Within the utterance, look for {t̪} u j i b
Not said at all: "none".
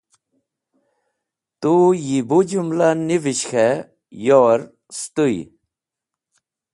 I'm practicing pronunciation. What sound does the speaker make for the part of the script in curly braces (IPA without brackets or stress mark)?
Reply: t̪